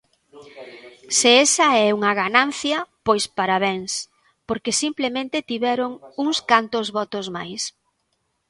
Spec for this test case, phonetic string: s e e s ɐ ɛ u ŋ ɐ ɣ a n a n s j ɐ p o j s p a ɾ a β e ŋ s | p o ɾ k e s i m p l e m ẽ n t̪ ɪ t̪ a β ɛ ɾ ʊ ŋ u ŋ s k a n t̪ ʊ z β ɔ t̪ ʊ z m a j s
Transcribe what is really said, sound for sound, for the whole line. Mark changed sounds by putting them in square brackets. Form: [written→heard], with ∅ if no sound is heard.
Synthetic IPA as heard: s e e s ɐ ɛ u ŋ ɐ ɣ a n a n [s→θ] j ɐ p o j s p a ɾ a β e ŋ s | p o ɾ k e s i m p l e m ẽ n t̪ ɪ t̪ [a→i] β ɛ ɾ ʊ ŋ u ŋ s k a n t̪ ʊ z β ɔ t̪ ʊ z m a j s